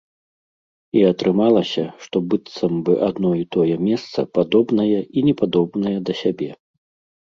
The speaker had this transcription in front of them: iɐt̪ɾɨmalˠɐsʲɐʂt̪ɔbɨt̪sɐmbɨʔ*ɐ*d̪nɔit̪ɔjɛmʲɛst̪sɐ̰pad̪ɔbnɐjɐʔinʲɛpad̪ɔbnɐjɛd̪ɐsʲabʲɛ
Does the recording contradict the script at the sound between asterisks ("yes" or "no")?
yes